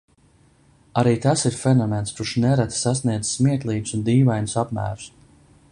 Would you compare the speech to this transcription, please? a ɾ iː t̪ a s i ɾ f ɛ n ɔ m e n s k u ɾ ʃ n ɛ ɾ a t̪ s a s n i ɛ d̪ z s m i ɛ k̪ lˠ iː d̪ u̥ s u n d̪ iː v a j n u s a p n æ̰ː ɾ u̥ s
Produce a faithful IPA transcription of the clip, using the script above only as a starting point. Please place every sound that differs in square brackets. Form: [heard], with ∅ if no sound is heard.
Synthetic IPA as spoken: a ɾ iː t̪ a s i ɾ f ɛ n ɔ m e n s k u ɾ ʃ n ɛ ɾ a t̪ s a s n i ɛ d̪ z s m i ɛ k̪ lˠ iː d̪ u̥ s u n d̪ iː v a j n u s a p [m] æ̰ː ɾ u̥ s